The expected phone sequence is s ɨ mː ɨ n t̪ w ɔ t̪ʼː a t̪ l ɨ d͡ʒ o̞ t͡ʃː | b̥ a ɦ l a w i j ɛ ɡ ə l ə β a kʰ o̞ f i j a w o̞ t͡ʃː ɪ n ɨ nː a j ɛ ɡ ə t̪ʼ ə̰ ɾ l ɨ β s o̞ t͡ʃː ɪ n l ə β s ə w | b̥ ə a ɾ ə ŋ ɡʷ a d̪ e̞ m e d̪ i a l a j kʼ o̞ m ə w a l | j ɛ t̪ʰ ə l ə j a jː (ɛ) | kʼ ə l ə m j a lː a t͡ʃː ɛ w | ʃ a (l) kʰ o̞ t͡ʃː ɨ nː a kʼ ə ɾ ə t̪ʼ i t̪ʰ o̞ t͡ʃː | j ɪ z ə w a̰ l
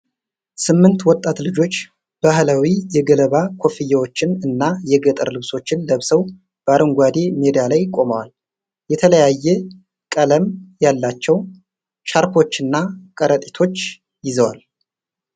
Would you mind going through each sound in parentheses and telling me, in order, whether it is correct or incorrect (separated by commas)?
correct, incorrect